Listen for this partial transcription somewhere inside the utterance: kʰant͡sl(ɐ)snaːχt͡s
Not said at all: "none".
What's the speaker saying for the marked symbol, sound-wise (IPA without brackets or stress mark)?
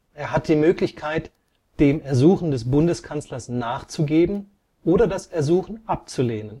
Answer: ɐ